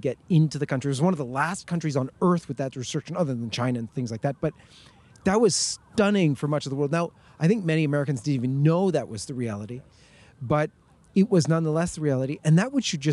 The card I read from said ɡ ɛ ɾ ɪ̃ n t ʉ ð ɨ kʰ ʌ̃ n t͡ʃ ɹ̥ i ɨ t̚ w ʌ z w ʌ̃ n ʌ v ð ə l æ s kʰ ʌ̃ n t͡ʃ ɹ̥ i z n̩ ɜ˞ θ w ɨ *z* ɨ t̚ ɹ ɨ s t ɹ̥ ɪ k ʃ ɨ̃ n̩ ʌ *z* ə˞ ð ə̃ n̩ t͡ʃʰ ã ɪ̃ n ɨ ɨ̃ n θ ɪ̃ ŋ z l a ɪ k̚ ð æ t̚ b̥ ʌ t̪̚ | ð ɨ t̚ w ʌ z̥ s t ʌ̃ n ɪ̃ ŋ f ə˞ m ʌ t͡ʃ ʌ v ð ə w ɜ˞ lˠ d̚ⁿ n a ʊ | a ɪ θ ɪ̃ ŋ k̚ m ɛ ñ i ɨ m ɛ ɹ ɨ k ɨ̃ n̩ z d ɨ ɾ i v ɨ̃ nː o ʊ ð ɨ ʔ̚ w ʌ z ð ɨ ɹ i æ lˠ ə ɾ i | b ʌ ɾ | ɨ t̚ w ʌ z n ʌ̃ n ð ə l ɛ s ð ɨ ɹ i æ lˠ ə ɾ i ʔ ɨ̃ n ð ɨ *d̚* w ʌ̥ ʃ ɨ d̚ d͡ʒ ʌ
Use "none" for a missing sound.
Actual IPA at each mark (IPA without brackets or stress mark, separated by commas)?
ð, ð, t̚